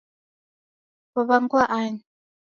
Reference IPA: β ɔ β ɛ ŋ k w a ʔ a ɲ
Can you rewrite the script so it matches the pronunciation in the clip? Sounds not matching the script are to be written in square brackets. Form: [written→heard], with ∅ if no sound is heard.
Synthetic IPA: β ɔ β [ɛ→a] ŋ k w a ʔ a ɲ